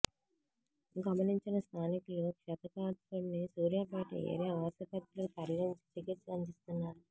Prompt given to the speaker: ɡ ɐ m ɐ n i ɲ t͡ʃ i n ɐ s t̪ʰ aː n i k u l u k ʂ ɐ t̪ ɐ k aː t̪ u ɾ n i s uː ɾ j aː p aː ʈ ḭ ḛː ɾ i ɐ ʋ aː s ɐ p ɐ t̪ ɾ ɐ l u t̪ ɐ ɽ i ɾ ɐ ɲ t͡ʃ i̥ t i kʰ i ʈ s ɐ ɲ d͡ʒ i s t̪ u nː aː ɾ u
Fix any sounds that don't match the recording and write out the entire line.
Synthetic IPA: ɡ ɐ m ɐ n i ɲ t͡ʃ i n ɐ s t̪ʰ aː n i k u l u k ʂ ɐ t̪ ɐ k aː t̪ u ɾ n i s uː ɾ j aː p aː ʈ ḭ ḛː ɾ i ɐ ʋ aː s ɐ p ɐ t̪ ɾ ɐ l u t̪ ɐ ɾ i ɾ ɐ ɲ t͡ʃ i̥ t i k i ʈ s ɐ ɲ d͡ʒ i s t̪ u nː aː ɾ u